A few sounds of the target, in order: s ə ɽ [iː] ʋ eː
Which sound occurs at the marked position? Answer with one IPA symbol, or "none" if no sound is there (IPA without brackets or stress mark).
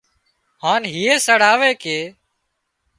aː